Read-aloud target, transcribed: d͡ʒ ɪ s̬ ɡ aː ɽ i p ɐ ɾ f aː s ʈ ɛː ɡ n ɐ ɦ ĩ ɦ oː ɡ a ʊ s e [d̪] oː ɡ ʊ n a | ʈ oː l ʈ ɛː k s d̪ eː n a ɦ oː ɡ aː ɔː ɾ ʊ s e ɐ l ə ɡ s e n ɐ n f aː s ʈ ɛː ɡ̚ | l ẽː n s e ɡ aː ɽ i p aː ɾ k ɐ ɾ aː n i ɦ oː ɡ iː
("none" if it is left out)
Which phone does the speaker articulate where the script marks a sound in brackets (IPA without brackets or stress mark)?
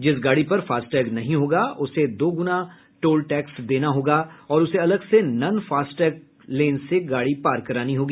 d̪